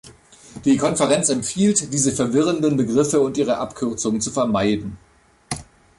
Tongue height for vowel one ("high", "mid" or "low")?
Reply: high